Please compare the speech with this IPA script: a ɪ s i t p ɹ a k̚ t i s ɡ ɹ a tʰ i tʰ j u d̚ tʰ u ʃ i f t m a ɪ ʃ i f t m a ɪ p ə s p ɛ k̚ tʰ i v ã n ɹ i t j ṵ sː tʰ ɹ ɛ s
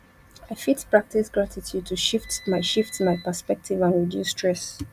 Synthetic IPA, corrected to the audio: a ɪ f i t p ɹ a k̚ t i s ɡ ɹ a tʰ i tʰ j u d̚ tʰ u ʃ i f t m a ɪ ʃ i f t m a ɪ p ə s p ɛ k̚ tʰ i v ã n ɹ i d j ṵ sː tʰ ɹ ɛ s